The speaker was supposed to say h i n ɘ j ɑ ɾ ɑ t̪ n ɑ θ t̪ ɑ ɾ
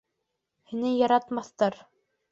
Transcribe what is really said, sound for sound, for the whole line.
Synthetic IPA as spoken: h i n ɘ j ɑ ɾ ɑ t̪ m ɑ θ t̪ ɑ ɾ